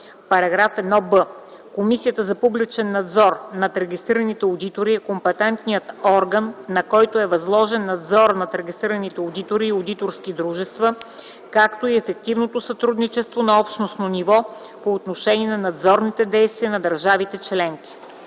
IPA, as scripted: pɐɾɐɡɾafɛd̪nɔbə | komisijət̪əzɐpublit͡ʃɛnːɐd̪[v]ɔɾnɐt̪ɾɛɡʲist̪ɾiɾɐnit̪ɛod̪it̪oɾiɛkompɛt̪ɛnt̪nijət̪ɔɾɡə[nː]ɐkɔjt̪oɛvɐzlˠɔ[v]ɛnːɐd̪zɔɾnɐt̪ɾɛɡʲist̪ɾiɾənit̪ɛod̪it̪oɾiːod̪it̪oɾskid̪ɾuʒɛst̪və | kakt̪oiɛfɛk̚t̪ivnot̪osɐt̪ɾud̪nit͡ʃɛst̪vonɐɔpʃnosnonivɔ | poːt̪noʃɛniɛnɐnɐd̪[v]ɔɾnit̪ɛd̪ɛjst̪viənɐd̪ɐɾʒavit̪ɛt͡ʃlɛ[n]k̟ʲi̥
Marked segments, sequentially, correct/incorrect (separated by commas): incorrect, correct, incorrect, incorrect, incorrect